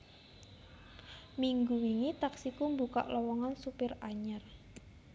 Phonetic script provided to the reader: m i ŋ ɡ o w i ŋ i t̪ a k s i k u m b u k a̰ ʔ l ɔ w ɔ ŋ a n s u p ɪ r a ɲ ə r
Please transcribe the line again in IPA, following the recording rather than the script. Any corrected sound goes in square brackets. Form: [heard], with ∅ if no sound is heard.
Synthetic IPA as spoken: m i ŋ ɡ [u] w i ŋ i t̪ a k s i k u m b u k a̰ ʔ l ɔ w ɔ ŋ a n s u p ɪ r a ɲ ə r